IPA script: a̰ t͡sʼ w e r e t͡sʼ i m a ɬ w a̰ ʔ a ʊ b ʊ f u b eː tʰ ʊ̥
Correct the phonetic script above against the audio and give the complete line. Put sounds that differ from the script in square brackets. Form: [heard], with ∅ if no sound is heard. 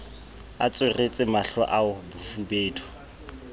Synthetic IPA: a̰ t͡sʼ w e r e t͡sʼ [ɪ] m a ɬ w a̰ ʔ a ʊ b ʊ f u b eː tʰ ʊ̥